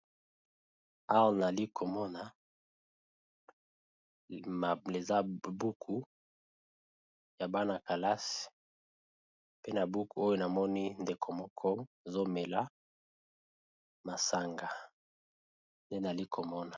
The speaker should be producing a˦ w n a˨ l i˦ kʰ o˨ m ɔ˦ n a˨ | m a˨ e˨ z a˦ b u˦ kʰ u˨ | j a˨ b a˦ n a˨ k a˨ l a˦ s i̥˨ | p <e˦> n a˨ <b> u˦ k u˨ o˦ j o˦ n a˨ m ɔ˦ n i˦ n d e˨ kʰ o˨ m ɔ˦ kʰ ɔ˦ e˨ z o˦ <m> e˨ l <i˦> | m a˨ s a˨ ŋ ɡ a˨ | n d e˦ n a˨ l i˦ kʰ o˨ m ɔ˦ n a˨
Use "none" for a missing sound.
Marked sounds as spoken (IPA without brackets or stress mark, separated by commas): e˦, b, m, a˦